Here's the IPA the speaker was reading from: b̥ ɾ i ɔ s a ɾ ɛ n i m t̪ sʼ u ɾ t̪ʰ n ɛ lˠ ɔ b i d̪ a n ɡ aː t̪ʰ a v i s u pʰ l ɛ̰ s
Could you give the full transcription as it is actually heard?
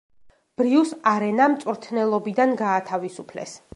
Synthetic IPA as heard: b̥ ɾ i u s a ɾ ɛ n a m t̪ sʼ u ɾ t̪ʰ n ɛ lˠ ɔ b i d̪ a n ɡ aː t̪ʰ a v i s u pʰ l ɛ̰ s